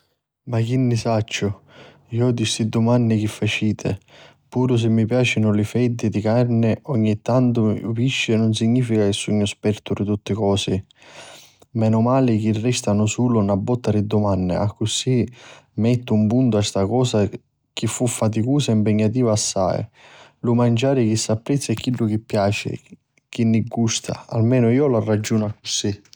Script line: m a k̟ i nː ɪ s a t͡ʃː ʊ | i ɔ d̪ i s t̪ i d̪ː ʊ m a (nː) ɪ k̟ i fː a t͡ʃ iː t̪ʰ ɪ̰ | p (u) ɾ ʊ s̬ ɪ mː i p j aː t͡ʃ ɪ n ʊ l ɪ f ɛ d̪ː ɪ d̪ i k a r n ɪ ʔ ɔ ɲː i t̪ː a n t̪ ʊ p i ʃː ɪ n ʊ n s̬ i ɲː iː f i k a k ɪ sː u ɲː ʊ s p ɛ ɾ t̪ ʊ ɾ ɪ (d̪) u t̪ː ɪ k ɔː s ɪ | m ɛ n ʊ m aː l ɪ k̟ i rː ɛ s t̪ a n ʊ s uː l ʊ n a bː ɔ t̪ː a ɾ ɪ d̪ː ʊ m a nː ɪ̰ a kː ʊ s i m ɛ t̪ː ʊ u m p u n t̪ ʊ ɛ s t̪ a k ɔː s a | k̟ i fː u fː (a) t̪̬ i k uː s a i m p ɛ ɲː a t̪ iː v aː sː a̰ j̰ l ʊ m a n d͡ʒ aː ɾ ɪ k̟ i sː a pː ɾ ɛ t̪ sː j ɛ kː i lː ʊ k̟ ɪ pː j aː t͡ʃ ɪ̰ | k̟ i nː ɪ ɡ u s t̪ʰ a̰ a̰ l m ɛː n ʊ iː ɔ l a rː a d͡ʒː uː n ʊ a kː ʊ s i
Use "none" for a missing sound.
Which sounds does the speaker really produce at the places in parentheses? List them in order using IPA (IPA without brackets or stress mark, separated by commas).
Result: nː, uː, t̪, a